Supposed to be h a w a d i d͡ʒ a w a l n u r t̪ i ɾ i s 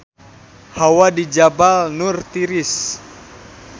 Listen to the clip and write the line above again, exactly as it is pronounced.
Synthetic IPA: h a w a d i d͡ʒ a b a l n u r t̪ i ɾ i s